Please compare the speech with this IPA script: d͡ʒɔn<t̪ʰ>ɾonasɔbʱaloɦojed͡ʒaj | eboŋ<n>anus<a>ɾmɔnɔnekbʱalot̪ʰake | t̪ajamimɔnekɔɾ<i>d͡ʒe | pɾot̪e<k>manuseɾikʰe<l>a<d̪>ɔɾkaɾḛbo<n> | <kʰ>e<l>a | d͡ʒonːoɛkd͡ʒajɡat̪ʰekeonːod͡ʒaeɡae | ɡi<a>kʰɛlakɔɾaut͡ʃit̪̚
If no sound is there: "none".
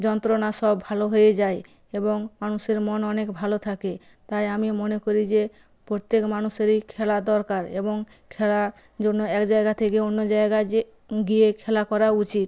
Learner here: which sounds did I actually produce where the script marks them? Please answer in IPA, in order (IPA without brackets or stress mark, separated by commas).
t̪, m, e, i, k, l, d̪, ŋ, kʰ, l, e